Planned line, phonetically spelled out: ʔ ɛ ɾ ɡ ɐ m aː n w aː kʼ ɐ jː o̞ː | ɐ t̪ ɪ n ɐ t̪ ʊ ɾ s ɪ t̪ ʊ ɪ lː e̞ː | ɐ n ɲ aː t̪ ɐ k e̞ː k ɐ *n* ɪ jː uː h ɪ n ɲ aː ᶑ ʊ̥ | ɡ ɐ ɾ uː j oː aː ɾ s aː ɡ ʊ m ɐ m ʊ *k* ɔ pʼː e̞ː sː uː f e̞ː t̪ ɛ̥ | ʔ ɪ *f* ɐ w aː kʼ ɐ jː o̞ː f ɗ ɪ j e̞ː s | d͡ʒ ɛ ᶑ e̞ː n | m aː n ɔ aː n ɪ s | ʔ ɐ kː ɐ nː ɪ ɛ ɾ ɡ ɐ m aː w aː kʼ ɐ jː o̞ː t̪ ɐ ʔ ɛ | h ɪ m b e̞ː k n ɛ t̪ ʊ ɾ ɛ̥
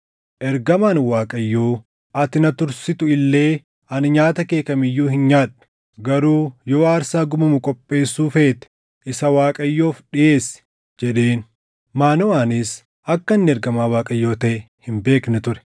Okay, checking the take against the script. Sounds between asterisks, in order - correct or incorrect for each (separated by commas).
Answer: incorrect, incorrect, incorrect